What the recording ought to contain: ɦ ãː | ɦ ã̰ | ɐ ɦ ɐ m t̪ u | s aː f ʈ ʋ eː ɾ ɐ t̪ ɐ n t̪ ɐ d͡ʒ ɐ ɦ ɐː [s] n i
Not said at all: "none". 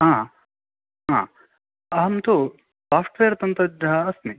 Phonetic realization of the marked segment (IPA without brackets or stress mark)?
s